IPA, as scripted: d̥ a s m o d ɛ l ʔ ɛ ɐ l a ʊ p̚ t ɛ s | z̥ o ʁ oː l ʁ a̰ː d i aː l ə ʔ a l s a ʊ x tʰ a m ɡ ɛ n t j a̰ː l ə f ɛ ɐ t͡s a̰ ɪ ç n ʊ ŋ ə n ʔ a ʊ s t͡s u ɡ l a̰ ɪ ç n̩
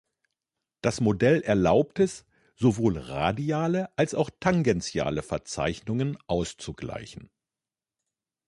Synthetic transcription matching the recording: d̥ a s m o d ɛ l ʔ ɛ ɐ l a ʊ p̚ t ɛ s | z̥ o v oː l ʁ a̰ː d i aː l ə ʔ a l s a ʊ x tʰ a ŋ ɡ ɛ n t͡s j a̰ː l ə f ɛ ɐ t͡s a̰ ɪ ç n ʊ ŋ ə n ʔ a ʊ s t͡s u ɡ l a̰ ɪ ç n̩

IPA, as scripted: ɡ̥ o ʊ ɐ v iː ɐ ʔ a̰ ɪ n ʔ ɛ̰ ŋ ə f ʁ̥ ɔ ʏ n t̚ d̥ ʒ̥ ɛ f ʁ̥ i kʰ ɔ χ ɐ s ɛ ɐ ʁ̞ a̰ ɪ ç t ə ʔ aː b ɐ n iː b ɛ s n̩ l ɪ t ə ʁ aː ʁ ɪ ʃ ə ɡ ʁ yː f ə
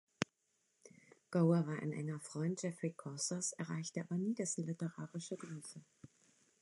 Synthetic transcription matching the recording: ɡ̥ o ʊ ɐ v aː ɐ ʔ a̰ ɪ n ʔ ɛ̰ ŋ ɐ f ʁ̥ ɔ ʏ n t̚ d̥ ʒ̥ ɛ f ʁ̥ i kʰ ɔ s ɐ s ɛ ɐ ʁ̞ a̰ ɪ ç t ə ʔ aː b ɐ n iː d ɛ s n̩ l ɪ t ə ʁ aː ʁ ɪ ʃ ə ɡ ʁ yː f ə

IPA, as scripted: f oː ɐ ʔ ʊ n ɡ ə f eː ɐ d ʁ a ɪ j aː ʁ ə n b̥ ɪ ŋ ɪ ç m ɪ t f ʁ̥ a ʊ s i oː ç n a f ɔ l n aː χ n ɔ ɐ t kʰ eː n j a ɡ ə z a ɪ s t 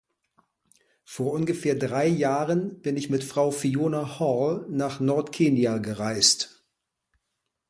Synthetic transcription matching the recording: f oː ɐ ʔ ʊ n ɡ ə f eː ɐ d ʁ a ɪ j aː ʁ ə n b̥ ɪ n ɪ ç m ɪ t f ʁ̥ a ʊ f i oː n a h ɔ l n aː χ n ɔ ɐ t kʰ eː n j a ɡ ə ʁ a ɪ s t

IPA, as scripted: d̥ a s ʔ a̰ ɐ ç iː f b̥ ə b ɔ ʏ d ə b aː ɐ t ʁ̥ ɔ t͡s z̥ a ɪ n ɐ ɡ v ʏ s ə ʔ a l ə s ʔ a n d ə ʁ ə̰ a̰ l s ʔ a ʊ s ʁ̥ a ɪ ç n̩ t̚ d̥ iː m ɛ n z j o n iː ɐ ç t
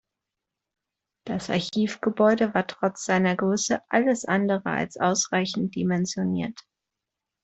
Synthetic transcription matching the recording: d̥ a s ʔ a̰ ɐ ç iː f ɡ̥ ə b ɔ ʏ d ə v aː ɐ t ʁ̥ ɔ t͡s z̥ a ɪ n ɐ ɡ ʁ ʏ s ə ʔ a l ə s ʔ a n d ə ʁ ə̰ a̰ l s ʔ a ʊ s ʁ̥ a ɪ ç n̩ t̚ d̥ i m ɛ n z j o n iː ɐ t

